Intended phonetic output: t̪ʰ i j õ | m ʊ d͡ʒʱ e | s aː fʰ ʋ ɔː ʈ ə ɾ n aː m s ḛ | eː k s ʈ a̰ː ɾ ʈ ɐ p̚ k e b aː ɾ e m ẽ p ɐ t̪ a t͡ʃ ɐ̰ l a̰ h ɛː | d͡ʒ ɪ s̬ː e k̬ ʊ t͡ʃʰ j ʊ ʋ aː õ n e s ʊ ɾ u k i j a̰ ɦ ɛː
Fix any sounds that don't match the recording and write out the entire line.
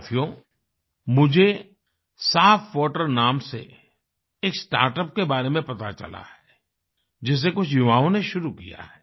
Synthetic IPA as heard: t̪ʰ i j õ | m ʊ d͡ʒʱ e | s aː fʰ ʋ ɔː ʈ ə ɾ n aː m s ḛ | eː k s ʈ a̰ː ɾ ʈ ə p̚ k e b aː ɾ e m ẽ p ɐ t̪ a t͡ʃ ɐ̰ l a̰ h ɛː | d͡ʒ ɪ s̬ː e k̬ ʊ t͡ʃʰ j ʊ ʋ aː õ n e ʃ ʊ ɾ u k i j a̰ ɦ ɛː